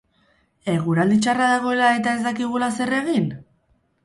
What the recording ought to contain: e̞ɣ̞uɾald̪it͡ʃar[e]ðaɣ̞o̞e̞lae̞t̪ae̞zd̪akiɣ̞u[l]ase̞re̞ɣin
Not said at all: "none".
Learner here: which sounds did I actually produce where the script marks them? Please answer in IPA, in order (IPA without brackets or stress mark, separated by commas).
a, l